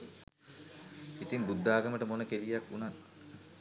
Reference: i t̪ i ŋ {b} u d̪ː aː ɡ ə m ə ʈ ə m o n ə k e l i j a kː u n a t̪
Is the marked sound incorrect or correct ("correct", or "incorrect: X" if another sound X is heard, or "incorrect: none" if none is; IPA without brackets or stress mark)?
correct